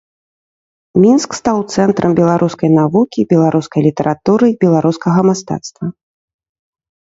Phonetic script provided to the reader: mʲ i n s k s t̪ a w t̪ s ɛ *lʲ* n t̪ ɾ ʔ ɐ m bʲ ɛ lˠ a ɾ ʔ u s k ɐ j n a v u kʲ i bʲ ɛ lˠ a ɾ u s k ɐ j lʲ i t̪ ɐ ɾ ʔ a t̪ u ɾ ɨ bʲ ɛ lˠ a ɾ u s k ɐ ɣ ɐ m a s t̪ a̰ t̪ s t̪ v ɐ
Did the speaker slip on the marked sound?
yes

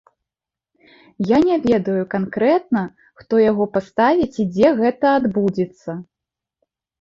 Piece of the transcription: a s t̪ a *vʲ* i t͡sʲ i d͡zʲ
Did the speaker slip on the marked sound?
no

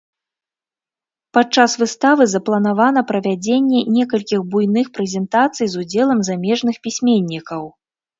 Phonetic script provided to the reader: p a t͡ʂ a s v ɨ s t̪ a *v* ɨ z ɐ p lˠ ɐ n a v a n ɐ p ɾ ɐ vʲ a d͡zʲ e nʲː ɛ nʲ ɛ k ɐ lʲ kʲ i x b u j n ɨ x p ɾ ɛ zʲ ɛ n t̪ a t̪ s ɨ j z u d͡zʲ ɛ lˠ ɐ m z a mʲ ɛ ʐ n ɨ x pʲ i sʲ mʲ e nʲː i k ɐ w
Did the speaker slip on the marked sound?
no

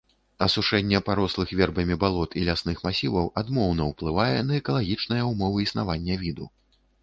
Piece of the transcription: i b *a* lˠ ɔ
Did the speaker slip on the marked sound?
no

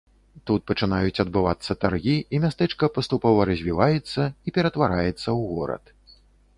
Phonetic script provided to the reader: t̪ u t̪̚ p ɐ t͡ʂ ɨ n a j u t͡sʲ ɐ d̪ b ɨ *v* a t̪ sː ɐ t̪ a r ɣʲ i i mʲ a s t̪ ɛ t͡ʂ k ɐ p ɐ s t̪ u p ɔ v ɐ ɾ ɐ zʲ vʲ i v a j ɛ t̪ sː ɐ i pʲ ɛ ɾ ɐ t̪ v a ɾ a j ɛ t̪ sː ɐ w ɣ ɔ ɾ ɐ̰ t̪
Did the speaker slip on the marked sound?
no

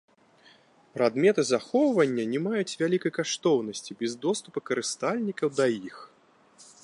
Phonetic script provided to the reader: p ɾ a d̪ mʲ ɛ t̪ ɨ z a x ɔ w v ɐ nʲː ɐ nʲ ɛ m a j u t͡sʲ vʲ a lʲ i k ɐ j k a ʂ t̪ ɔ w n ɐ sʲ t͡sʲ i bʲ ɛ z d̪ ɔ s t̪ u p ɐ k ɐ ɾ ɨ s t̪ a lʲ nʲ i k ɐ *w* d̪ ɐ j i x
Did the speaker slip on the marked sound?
no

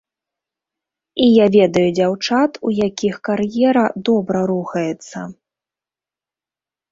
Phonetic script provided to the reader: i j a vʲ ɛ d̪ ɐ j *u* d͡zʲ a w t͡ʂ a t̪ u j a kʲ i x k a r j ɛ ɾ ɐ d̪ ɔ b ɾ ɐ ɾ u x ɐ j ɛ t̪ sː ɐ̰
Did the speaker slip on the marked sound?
no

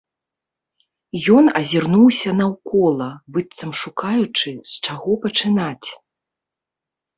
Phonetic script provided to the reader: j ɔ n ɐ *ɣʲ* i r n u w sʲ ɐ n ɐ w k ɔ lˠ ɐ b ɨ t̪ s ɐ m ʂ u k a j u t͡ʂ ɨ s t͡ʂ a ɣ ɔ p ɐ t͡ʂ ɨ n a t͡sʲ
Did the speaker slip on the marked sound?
yes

